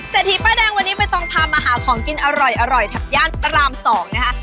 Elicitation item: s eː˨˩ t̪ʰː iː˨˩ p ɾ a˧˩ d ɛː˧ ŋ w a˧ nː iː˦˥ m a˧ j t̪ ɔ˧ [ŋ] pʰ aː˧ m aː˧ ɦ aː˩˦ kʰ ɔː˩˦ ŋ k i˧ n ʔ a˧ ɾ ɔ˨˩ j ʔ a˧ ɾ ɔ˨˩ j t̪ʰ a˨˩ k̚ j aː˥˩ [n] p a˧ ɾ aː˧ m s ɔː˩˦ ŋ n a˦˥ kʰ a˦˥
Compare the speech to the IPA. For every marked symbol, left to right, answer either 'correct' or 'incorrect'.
correct, correct

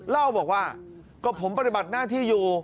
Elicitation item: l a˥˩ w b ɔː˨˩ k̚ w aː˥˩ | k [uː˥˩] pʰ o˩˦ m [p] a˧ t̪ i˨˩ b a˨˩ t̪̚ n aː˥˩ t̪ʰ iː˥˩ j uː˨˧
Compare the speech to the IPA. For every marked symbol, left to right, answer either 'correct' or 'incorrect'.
incorrect, correct

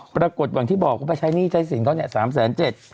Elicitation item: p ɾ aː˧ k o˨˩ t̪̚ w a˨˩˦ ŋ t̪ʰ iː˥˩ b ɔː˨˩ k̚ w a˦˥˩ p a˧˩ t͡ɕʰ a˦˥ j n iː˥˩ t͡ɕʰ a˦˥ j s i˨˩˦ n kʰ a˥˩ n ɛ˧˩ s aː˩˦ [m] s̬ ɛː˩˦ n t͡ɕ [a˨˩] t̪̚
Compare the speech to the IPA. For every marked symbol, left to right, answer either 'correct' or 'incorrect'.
correct, incorrect

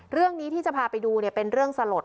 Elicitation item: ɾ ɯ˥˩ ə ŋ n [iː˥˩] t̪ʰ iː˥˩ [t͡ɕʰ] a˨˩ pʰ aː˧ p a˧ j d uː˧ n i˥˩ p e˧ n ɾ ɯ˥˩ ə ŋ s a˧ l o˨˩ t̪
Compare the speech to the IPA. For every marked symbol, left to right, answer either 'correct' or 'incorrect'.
incorrect, incorrect

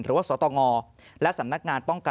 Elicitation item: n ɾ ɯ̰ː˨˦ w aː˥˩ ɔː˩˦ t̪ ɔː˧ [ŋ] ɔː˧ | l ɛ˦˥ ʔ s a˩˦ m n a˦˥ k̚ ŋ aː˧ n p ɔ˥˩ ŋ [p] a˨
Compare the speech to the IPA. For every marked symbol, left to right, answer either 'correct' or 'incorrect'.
correct, incorrect

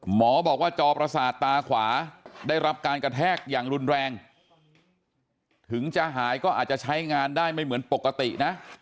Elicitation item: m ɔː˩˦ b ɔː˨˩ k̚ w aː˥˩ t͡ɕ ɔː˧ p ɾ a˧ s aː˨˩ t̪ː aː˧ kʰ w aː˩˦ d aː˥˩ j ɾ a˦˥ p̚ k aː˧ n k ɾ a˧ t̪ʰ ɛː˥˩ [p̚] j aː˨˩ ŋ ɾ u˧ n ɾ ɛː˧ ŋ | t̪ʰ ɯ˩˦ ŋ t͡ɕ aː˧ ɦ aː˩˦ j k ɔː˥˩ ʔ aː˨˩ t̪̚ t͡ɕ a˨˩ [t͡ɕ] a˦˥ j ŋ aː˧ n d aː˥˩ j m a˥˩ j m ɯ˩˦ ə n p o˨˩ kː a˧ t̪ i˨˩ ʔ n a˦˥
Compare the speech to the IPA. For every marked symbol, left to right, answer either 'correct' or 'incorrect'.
incorrect, incorrect

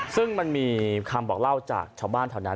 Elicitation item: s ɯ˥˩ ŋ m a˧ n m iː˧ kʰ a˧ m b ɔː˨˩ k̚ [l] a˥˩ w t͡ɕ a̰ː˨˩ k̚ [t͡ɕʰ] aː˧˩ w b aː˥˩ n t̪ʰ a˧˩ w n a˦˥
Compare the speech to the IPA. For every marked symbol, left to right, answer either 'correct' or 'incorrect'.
correct, correct

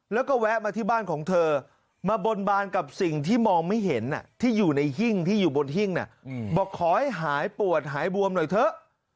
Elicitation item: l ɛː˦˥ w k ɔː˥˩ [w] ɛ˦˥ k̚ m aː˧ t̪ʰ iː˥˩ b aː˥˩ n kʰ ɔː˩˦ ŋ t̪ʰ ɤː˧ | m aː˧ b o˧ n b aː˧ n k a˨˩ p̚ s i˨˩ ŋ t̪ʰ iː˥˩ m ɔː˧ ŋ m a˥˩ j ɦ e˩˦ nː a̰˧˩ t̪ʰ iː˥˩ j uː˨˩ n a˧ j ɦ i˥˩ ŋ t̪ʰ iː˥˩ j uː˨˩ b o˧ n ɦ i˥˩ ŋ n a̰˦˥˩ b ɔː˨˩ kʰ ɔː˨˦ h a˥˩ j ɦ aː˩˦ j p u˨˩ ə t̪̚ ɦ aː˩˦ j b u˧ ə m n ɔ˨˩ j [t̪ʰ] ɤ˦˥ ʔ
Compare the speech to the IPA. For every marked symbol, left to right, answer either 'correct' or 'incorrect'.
correct, correct

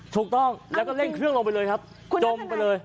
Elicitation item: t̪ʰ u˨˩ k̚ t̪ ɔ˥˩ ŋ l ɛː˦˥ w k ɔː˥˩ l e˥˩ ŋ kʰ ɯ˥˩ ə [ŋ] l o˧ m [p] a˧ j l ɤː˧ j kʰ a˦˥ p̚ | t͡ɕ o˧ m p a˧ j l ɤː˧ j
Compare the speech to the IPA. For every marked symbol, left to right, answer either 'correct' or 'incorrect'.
correct, correct

